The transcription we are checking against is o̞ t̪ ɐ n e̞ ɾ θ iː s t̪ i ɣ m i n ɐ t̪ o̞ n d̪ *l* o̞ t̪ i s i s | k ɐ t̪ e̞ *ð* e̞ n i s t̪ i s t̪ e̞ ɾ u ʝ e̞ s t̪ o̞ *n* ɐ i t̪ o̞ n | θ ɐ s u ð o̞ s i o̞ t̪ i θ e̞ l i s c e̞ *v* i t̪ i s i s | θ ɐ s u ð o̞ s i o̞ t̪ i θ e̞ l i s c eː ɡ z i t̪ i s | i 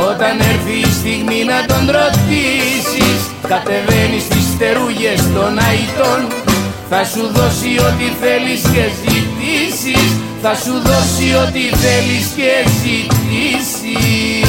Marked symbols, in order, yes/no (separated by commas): no, no, yes, no